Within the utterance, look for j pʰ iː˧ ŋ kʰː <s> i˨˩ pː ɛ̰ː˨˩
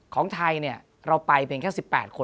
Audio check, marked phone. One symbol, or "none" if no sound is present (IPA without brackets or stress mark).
s